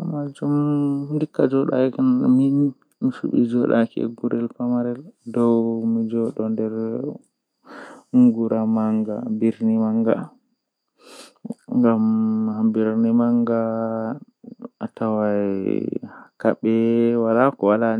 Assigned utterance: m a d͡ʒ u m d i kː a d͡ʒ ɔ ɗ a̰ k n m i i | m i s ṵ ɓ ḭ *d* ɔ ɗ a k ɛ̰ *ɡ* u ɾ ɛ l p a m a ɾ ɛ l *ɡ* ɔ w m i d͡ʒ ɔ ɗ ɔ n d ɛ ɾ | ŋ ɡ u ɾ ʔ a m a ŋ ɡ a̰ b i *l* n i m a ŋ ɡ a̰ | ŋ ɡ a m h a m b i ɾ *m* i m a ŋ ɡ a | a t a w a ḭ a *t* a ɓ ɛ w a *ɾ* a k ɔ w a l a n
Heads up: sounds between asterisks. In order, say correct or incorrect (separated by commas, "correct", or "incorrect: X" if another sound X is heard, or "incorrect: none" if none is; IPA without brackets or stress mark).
incorrect: d͡ʒ, correct, incorrect: d, incorrect: ɾ, incorrect: n, incorrect: k, incorrect: l